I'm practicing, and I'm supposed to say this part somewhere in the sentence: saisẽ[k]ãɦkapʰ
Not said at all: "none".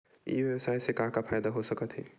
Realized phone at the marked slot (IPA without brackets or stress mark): k